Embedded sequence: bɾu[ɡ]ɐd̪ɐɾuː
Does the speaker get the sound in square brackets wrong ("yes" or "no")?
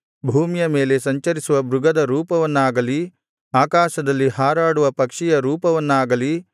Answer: no